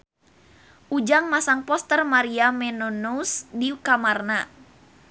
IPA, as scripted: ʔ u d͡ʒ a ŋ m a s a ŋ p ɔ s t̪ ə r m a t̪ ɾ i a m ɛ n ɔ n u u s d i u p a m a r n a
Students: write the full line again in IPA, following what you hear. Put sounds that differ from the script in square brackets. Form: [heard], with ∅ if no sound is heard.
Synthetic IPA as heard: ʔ u d͡ʒ a ŋ m a s a ŋ p ɔ s t̪ ə r m a [∅] ɾ i a m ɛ n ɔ n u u s d i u [k] a m a r n a